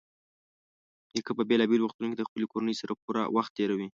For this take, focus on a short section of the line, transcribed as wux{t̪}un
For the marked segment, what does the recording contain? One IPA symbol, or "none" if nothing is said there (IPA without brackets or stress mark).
t̪